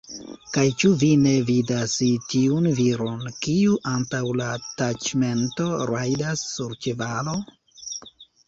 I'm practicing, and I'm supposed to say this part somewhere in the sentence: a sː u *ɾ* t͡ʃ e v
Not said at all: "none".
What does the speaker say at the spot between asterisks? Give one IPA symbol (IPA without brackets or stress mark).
ɾ